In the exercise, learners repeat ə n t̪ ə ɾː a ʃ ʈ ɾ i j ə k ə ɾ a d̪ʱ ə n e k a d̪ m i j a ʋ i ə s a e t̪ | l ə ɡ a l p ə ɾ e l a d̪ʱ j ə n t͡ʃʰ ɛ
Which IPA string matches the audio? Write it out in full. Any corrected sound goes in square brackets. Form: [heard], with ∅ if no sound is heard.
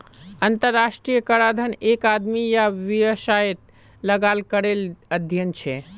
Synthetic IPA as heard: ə n t̪ ə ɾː a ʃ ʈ ɾ i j ə k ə ɾ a d̪ʱ ə n e k a d̪ m i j a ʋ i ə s a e t̪ | l ə ɡ a l [k] ə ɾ e l [ə] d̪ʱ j ə n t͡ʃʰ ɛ